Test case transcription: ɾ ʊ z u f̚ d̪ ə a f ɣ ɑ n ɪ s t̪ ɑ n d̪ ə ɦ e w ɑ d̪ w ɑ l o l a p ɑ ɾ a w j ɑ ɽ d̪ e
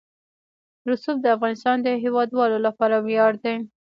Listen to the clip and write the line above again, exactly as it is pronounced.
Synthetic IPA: ɾ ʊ s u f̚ d̪ ə a f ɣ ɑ n ɪ s t̪ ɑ n d̪ ə ɦ e w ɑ d̪ w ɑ l o l a p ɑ ɾ a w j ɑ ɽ d̪ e